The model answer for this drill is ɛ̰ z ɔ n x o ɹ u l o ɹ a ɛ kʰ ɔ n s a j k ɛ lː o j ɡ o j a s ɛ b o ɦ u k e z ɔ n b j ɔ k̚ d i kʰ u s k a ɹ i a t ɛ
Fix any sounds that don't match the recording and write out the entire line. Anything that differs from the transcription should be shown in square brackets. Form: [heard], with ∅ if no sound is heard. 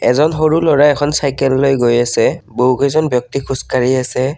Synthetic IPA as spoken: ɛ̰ z ɔ n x o ɹ u l [ɔ] ɹ a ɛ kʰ ɔ n s a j k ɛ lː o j ɡ o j a s ɛ b o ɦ u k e z ɔ n b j ɔ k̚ [t] i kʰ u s k a ɹ i a [s] ɛ